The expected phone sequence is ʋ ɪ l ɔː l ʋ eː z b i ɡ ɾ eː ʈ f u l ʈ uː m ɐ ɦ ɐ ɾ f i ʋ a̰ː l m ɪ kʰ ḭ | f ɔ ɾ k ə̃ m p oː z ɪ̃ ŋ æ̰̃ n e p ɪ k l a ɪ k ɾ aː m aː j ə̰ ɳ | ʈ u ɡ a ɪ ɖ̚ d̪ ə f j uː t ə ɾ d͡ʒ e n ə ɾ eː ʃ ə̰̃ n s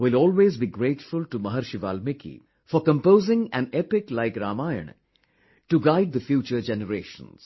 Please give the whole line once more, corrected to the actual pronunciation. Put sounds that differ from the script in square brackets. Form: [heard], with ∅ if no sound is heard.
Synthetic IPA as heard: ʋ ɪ l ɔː l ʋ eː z b i ɡ ɾ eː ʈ f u l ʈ [u] m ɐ ɦ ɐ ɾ [ʃ] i ʋ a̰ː l m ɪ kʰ ḭ | f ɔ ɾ k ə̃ m p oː z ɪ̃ ŋ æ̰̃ n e p ɪ k l a ɪ k ɾ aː m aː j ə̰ ɳ | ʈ u ɡ a ɪ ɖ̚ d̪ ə f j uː [t͡ʃ] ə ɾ d͡ʒ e n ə ɾ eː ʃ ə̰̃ n s